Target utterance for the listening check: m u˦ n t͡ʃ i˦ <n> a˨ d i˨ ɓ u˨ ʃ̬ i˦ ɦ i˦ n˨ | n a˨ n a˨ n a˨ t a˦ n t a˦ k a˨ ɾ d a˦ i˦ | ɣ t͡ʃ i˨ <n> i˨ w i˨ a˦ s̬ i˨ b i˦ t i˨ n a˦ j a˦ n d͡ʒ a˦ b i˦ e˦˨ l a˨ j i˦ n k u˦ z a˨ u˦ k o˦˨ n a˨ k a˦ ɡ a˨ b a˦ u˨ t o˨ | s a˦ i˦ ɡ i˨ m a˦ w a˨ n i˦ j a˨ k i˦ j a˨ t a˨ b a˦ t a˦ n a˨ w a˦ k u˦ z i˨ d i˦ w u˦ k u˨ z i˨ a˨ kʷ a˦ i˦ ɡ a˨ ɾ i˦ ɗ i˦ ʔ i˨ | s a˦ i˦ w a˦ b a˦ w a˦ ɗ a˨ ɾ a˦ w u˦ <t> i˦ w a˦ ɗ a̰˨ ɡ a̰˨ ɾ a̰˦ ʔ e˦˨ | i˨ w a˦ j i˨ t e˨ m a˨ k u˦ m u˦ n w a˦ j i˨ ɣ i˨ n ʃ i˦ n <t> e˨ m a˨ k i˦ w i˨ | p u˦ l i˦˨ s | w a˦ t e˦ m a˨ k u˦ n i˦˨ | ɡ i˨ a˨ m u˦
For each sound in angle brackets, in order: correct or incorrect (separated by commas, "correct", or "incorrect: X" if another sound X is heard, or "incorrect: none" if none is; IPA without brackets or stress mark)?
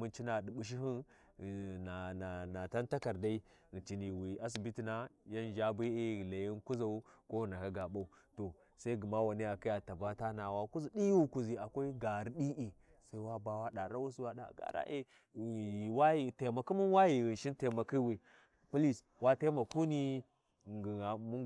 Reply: correct, correct, incorrect: s, correct